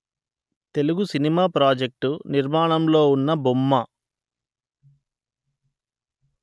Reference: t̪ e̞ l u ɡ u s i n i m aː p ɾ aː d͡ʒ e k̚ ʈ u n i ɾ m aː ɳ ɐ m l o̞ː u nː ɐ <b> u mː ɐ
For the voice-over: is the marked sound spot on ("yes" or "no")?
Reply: yes